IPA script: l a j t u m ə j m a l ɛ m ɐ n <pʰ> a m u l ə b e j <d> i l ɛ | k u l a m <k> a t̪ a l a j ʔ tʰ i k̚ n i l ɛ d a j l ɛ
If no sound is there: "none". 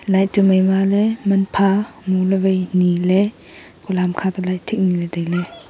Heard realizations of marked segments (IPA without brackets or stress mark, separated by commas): pʰ, n, kʰ